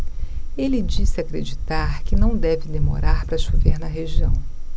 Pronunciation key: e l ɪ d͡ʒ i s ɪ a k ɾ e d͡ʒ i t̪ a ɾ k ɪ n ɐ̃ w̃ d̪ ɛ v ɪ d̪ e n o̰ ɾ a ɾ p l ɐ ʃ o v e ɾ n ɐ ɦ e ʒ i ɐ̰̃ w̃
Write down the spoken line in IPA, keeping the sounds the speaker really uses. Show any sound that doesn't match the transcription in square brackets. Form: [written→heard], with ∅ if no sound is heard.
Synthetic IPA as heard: e l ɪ d͡ʒ i s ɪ a k ɾ e d͡ʒ i t̪ a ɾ k ɪ n ɐ̃ w̃ d̪ ɛ v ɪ d̪ e [n→m] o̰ ɾ a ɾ p [l→ɾ] ɐ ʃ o v e ɾ n ɐ ɦ e ʒ i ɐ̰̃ w̃

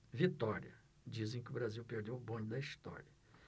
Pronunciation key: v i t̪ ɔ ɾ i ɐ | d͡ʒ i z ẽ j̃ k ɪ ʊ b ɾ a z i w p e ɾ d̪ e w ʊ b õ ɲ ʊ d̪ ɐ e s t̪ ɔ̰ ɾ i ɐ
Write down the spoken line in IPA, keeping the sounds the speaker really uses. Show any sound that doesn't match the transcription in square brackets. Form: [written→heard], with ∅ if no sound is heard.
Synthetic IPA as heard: v i t̪ ɔ ɾ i ɐ | d͡ʒ i z ẽ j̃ k ɪ ʊ b ɾ a z i w p e ɾ d̪ e w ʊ b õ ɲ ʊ d̪ ɐ [e→i] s t̪ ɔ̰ ɾ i ɐ

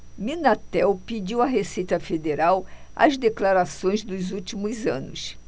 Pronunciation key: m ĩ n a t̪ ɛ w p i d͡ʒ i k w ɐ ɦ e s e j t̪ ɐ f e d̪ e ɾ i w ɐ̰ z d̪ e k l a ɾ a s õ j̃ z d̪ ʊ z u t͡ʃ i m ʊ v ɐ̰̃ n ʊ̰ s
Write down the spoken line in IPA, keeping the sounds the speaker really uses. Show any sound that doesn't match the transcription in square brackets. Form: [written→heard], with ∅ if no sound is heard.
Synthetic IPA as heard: m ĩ n a t̪ ɛ w p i d͡ʒ i [k→∅] w ɐ ɦ e s e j t̪ ɐ f e d̪ e ɾ [i→a] w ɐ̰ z d̪ e k l a ɾ a s õ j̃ z d̪ ʊ z u t͡ʃ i m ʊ [v→z] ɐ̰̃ n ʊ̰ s

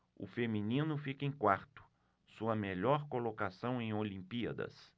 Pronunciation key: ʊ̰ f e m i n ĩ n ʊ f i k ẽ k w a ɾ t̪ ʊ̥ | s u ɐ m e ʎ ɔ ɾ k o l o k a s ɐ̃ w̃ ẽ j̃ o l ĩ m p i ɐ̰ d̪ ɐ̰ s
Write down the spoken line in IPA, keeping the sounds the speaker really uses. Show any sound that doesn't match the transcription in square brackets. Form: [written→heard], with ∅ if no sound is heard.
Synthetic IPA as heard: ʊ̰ f e m i n ĩ n ʊ f i k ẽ k w a ɾ t̪ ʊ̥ | s u ɐ m e ʎ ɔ ɾ k o l o k a s ɐ̃ w̃ ẽ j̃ o l ĩ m p i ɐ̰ d̪ ɐ̰ s

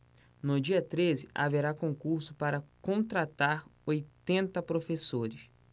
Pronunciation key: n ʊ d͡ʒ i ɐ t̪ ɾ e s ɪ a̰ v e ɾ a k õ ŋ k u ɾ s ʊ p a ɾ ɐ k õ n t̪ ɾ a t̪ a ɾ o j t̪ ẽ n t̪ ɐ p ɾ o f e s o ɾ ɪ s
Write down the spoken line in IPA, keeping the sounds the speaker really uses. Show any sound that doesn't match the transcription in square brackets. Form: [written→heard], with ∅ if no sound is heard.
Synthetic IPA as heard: n ʊ d͡ʒ i ɐ t̪ ɾ e [s→z] ɪ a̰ v e ɾ a k õ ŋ k u ɾ s ʊ p a ɾ ɐ k õ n t̪ ɾ a t̪ a ɾ o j t̪ ẽ n t̪ ɐ p ɾ o f e s o ɾ ɪ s

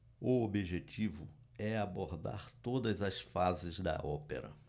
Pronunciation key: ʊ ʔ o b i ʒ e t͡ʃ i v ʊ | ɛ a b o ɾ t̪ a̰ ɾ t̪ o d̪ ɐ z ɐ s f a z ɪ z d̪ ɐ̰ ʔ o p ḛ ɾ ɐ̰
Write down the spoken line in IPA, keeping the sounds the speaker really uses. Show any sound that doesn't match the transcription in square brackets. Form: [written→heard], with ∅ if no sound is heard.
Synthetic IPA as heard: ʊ [ʔ→∅] o b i ʒ e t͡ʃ i v ʊ | ɛ a b o ɾ [t̪→d̪] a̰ ɾ t̪ o d̪ ɐ z ɐ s f a z ɪ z d̪ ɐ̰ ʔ [o→ɔ] p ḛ ɾ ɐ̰

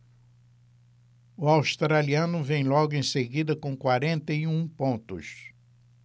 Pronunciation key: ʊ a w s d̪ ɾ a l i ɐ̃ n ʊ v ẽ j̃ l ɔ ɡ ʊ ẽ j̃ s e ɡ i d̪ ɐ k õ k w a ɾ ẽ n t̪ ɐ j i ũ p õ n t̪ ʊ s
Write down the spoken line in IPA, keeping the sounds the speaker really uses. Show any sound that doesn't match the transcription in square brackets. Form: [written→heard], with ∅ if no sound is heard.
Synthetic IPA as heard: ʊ a w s [d̪→t̪] ɾ a l i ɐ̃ n ʊ v ẽ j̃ l ɔ ɡ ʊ ẽ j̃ s e ɡ i d̪ ɐ k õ k w a ɾ ẽ n t̪ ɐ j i ũ p õ n t̪ ʊ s

